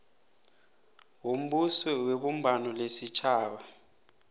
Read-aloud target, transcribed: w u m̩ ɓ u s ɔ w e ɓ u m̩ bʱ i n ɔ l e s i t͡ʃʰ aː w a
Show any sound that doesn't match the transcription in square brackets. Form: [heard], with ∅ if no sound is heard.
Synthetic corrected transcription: w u m̩ ɓ u s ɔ w e ɓ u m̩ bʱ [a] n ɔ l e s i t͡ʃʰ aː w a